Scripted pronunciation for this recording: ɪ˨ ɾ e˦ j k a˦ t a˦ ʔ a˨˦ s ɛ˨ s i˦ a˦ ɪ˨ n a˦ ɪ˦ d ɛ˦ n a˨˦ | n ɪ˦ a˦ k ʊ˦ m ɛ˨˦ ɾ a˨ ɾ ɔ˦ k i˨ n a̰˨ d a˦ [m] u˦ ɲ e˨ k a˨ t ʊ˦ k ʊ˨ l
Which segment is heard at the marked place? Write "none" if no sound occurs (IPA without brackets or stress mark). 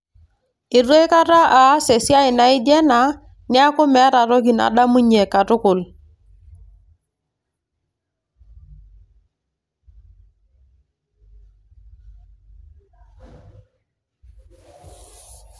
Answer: m